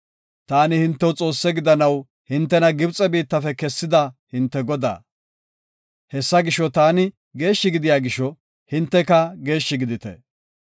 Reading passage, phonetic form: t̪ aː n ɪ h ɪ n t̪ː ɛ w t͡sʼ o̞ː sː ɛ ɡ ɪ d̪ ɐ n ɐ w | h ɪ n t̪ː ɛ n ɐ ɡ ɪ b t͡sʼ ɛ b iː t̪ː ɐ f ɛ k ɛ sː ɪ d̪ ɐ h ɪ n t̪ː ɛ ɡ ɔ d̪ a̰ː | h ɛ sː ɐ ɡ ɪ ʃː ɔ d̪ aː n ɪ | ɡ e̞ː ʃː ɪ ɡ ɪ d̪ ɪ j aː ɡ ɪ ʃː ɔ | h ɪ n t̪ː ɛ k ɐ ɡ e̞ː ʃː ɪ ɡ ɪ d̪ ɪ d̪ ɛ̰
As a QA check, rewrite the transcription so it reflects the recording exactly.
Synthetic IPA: t̪ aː n ɪ h ɪ n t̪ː ɛ w t͡sʼ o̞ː sː ɛ ɡ ɪ d̪ ɐ n ɐ w | h ɪ n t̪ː ɛ n ɐ ɡ ɪ b t͡sʼ ɛ b iː t̪ː ɐ f ɛ k ɛ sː ɪ d̪ ɐ h ɪ n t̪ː ɛ ɡ ɔ d̪ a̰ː | h ɛ sː ɐ ɡ ɪ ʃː ɔ t̪ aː n ɪ | ɡ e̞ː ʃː ɪ ɡ ɪ d̪ ɪ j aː ɡ ɪ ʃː ɔ | h ɪ n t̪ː ɛ k ɐ ɡ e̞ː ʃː ɪ ɡ ɪ d̪ ɪ t̪ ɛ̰